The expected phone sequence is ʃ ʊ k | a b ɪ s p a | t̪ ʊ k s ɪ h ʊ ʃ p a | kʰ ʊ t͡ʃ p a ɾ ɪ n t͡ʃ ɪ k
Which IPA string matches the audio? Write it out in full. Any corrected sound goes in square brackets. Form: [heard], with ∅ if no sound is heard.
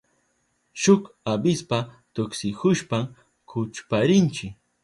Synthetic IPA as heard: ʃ ʊ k | a b ɪ s p a | t̪ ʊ k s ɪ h ʊ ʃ p a | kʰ ʊ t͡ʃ p a ɾ ɪ n t͡ʃ ɪ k